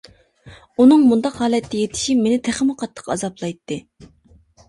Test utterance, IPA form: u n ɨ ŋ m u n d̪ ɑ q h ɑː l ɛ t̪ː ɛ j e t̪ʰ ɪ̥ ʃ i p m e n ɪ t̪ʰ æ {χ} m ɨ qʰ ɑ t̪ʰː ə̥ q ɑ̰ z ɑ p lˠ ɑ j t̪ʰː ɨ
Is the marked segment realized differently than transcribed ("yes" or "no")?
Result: no